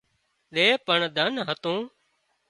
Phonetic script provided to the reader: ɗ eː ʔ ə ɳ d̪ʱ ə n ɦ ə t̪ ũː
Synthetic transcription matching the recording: ɗ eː p ə ɳ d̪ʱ ə n ɦ ə t̪ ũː